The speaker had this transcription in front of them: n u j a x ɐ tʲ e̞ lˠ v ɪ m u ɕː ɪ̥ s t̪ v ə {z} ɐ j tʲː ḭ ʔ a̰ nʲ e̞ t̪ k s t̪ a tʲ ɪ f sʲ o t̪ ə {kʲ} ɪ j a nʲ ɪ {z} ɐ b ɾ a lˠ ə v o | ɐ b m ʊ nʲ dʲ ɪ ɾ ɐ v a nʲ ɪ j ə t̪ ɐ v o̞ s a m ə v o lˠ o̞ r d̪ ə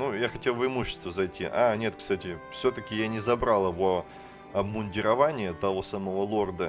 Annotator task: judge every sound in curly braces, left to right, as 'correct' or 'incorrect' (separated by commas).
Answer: correct, correct, correct